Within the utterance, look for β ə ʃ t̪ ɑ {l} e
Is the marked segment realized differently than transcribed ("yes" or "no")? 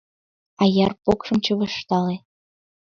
no